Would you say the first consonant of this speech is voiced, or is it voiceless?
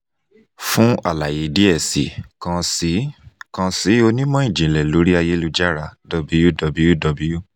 voiceless